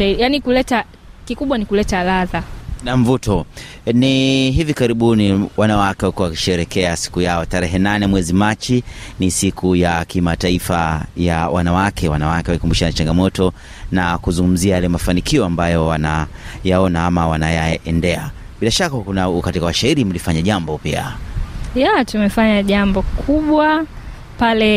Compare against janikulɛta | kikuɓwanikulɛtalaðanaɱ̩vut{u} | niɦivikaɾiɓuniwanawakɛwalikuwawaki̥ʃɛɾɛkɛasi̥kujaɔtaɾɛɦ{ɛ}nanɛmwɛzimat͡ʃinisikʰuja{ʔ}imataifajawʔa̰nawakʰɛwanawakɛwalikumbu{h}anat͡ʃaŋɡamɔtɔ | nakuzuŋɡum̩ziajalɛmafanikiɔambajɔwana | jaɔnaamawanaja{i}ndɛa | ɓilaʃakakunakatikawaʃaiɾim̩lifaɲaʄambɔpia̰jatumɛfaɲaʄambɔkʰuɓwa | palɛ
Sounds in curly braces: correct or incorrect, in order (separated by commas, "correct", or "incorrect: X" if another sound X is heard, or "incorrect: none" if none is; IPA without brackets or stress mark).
incorrect: ɔ, correct, incorrect: k, incorrect: ʃ, incorrect: ɛ